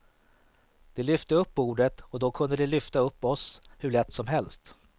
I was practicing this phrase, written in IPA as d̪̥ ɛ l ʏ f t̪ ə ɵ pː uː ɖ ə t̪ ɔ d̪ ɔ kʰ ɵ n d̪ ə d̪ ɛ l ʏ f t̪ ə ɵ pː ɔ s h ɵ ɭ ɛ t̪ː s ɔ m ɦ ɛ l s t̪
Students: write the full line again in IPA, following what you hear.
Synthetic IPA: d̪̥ ɛ l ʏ f t̪ ə ɵ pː uː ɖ ə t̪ ɔ d̪ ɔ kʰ ɵ n d̪ ə d̪ ɛ l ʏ f t̪ a ɵ pː ɔ s h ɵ ɭ ɛ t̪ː s ɔ m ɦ ɛ l s t̪